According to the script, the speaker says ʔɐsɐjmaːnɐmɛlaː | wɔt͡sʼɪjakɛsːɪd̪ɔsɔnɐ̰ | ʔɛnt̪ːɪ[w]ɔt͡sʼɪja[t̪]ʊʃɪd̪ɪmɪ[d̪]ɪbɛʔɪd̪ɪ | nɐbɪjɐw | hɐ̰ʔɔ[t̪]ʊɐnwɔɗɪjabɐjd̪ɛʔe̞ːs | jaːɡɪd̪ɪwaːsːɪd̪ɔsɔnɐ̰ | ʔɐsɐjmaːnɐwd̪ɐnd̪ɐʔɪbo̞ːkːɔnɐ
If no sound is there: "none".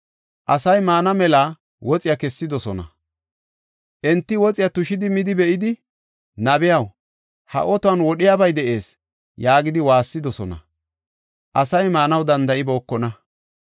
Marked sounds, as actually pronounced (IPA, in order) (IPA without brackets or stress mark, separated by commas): w, t̪, d̪, t̪